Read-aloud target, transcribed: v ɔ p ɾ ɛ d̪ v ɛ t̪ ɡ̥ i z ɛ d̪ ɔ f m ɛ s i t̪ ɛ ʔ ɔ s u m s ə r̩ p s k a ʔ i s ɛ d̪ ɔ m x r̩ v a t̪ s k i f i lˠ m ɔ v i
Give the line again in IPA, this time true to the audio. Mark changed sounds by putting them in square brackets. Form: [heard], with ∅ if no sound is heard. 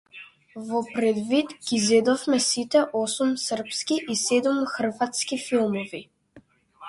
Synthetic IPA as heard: v ɔ p ɾ ɛ d̪ v [i] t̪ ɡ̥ i z ɛ d̪ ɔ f m ɛ s i t̪ ɛ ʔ ɔ s u m s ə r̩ p s k [i] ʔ i s ɛ d̪ [u] m x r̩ v a t̪ s k i f i lˠ m ɔ v i

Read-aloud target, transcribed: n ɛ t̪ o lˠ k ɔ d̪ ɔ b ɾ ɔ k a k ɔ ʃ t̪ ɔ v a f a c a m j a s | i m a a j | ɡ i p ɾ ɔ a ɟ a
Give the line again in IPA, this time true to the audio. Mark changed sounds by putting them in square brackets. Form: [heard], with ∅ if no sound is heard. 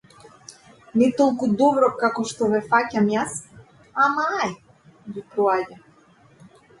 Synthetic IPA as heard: n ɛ t̪ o lˠ k [u] d̪ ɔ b ɾ ɔ k a k ɔ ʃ t̪ ɔ v [ɛ] f a c a m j a s | [a] m a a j | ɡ i p ɾ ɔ a ɟ a

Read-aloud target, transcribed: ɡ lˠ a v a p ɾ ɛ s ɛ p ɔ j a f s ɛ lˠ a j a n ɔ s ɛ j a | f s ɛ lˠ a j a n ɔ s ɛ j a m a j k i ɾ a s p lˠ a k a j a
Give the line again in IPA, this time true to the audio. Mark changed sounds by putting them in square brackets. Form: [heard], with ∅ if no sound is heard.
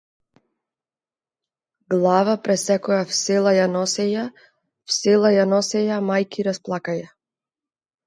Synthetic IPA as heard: ɡ lˠ a v a p ɾ ɛ s ɛ [k] ɔ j a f s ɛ lˠ a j a n ɔ s ɛ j a | f s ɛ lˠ a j a n ɔ s ɛ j a m a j k i ɾ a s p lˠ a k a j a

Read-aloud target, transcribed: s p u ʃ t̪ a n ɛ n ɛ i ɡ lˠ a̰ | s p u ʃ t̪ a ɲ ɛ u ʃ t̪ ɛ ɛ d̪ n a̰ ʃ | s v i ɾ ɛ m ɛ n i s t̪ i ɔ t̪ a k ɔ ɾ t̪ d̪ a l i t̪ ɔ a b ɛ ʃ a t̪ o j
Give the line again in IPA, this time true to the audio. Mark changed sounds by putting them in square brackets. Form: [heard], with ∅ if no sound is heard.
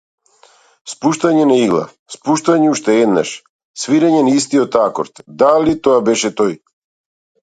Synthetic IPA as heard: s p u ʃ t̪ a [ɲ] ɛ n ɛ i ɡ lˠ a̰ | s p u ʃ t̪ a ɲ ɛ u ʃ t̪ ɛ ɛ d̪ n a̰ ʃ | s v i ɾ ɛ [ɲ] ɛ n i s t̪ i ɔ t̪ a k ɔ ɾ t̪ d̪ a l i t̪ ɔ a b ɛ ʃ [ɛ] t̪ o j

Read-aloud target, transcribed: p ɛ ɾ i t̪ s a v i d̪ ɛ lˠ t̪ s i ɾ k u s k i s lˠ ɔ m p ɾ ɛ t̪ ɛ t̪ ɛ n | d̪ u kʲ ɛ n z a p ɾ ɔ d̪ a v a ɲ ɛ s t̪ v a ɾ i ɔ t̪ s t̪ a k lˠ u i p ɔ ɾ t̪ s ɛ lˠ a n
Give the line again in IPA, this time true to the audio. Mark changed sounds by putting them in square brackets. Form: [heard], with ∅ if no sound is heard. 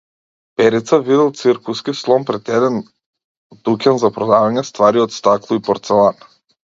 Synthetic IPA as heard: p ɛ ɾ i t̪ s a v i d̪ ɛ lˠ t̪ s i ɾ k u s k i s lˠ ɔ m p ɾ ɛ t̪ ɛ [d̪] ɛ n | d̪ u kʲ ɛ n z a p ɾ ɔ d̪ a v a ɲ ɛ s t̪ v a ɾ i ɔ t̪ s t̪ a k lˠ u i p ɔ ɾ t̪ s ɛ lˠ a n

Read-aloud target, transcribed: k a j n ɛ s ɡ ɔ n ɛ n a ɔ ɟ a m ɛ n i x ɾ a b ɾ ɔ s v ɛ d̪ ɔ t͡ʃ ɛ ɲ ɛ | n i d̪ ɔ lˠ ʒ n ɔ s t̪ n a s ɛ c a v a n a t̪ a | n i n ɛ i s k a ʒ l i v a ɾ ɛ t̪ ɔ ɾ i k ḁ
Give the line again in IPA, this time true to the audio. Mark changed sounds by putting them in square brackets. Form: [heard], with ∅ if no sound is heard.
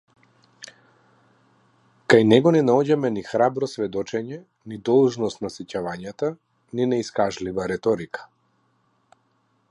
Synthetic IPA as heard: k a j n ɛ [∅] ɡ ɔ n ɛ n a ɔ ɟ a m ɛ n i x ɾ a b ɾ ɔ s v ɛ d̪ ɔ t͡ʃ ɛ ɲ ɛ | n i d̪ ɔ lˠ ʒ n ɔ s t̪ n a s ɛ c a v a [ɲ] a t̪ a | n i n ɛ i s k a ʒ l i v a ɾ ɛ t̪ ɔ ɾ i k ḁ

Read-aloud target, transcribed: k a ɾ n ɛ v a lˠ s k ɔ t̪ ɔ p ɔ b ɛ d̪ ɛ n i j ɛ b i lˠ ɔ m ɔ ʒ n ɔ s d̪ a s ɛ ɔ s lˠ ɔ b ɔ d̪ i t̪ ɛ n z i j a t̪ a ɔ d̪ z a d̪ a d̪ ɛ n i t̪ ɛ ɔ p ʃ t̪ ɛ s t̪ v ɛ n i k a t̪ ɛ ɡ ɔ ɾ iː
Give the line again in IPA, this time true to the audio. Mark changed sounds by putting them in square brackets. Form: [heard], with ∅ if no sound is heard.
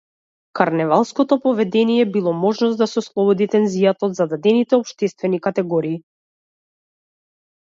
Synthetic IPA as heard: k a ɾ n ɛ v a lˠ s k ɔ t̪ ɔ p ɔ [v] ɛ d̪ ɛ n i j ɛ b i lˠ ɔ m ɔ ʒ n ɔ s d̪ a s ɛ ɔ s lˠ ɔ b ɔ d̪ i t̪ ɛ n z i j a t̪ a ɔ d̪ z a d̪ a d̪ ɛ n i t̪ ɛ ɔ p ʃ t̪ ɛ s t̪ v ɛ n i k a t̪ ɛ ɡ ɔ ɾ iː

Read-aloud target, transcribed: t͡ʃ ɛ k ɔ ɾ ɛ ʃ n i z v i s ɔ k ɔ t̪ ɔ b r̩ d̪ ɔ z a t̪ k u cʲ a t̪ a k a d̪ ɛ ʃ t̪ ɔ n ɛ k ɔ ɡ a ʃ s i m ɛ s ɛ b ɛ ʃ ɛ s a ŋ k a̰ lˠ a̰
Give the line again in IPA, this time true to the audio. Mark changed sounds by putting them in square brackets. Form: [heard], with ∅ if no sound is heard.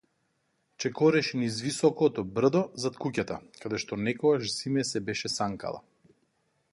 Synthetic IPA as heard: t͡ʃ ɛ k ɔ ɾ ɛ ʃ n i z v i s ɔ k ɔ t̪ ɔ b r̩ d̪ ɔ z a t̪ k u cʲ a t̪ a k a d̪ ɛ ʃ t̪ ɔ n ɛ k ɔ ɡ a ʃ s i m ɛ s ɛ b ɛ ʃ ɛ s a ŋ k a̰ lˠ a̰

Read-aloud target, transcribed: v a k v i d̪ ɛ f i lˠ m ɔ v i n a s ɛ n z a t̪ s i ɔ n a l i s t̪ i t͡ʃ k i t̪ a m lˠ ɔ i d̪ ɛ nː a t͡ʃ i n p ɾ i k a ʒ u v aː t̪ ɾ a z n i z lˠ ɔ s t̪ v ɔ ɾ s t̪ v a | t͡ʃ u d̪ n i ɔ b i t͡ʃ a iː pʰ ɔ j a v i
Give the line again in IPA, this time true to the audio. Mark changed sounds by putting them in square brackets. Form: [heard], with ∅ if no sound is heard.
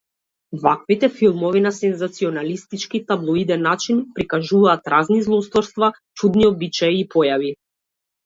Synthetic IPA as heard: v a k v i [t̪] ɛ f i lˠ m ɔ v i n a s ɛ n z a t̪ s i ɔ n a l i s t̪ i t͡ʃ k i t̪ a [b] lˠ ɔ i d̪ ɛ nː a t͡ʃ i n p ɾ i k a ʒ u v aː t̪ ɾ a z n i z lˠ ɔ s t̪ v ɔ ɾ s t̪ v a | t͡ʃ u d̪ n i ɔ b i t͡ʃ a iː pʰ ɔ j a v i

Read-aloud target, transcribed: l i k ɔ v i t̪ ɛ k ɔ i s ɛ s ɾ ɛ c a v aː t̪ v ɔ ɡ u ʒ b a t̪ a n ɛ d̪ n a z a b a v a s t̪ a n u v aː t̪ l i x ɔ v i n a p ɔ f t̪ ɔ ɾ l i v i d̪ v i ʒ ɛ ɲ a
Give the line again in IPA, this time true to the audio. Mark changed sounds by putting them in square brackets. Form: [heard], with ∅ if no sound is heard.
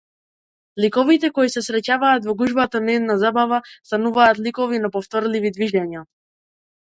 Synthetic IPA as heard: l i k ɔ v i t̪ ɛ k ɔ i s ɛ s ɾ ɛ c a v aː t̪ v ɔ ɡ u ʒ b a t̪ a n ɛ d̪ n a z a b a v a s t̪ a n u v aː t̪ l i [k] ɔ v i n a p ɔ f t̪ ɔ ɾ l i v i d̪ v i ʒ ɛ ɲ a

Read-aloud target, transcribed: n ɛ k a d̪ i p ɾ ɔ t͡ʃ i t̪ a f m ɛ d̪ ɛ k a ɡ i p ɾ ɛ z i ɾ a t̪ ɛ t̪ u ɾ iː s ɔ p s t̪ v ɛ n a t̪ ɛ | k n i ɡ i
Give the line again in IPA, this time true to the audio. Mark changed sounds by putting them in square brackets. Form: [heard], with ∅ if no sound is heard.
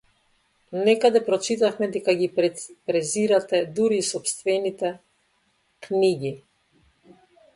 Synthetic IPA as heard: n ɛ k a d̪ [ɛ] p ɾ ɔ t͡ʃ i t̪ a f m ɛ d̪ ɛ k a ɡ i p ɾ ɛ z i ɾ a t̪ ɛ [d̪] u ɾ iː s ɔ p s t̪ v ɛ n [i] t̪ ɛ | k n i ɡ i

